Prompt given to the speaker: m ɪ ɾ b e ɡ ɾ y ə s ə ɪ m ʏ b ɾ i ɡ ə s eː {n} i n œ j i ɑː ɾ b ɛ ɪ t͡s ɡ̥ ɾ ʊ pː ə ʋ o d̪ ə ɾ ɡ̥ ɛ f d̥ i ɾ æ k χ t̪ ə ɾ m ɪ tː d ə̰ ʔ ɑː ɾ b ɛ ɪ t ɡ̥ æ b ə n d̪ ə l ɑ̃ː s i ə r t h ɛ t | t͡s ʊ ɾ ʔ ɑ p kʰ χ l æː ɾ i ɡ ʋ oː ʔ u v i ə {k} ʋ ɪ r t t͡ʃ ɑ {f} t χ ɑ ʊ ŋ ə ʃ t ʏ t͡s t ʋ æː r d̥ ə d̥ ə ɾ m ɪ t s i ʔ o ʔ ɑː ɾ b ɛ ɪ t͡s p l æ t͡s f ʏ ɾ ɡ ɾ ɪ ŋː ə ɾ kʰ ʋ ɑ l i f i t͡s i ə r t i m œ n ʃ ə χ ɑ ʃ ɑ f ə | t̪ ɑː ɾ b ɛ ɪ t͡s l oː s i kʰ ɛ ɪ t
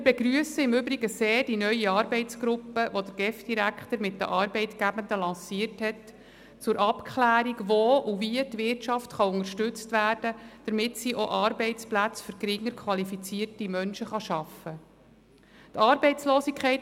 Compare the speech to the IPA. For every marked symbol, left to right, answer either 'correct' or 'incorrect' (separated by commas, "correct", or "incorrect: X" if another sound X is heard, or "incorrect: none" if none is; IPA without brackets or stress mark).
incorrect: d, incorrect: t, correct